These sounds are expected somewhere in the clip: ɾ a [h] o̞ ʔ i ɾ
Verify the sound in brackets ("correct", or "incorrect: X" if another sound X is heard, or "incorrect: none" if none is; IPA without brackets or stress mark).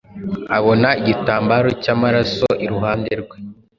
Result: incorrect: s